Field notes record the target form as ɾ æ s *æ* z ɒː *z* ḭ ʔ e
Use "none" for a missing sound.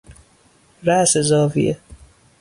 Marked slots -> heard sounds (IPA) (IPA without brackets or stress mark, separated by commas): e, v